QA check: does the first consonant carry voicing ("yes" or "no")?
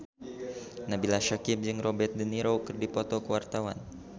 yes